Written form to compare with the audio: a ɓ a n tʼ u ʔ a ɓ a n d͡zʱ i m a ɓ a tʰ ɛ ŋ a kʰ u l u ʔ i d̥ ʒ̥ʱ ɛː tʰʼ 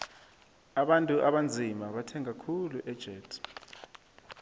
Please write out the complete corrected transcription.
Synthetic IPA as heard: a ɓ a n tʼ u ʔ a ɓ a n d͡zʱ i m a ɓ a tʰ ɛ ŋ a kʰ u l u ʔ ɛ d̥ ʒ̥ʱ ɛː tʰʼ